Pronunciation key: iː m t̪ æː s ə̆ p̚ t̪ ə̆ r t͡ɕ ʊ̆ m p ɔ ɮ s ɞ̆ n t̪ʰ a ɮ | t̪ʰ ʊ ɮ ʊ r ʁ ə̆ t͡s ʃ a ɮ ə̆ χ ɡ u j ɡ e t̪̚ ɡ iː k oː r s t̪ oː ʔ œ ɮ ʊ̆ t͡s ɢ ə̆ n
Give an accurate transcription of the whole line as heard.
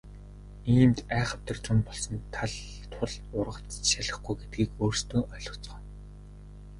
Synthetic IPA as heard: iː m t̪ æː χ ə̆ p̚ t̪ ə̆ r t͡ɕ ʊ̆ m p ɔ ɮ s ɞ̆ n t̪ʰ a ɮ | t̪ʰ ʊ ɮ ʊ r ʁ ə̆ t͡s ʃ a ɮ ə̆ χ ɡ u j ɡ e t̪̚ ɡ iː k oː r s t̪ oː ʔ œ ɮ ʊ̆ t͡s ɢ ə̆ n